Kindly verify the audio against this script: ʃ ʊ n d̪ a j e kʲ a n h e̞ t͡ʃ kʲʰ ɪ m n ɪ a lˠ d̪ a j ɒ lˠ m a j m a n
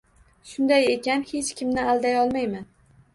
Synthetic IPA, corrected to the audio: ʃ ʊ n d̪ a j e kʲ a n h e̞ t͡ʃ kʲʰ ɪ m n ɪ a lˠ d̪ a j ɒ lˠ m a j m a n